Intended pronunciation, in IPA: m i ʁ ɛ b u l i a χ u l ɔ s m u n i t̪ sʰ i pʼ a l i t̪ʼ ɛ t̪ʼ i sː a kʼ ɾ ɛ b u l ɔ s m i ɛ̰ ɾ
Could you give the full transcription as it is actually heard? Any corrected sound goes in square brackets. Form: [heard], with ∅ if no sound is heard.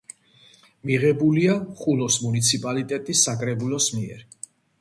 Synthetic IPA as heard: m i ʁ ɛ b u l i a χ u l ɔ s m u n i t̪ sʰ i pʼ a l i t̪ʼ ɛ t̪ʼ i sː a kʼ ɾ ɛ b u l ɔ s m i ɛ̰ ɾ